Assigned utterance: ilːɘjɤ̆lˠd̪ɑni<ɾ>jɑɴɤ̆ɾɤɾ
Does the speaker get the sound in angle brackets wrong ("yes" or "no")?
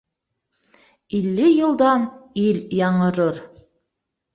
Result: yes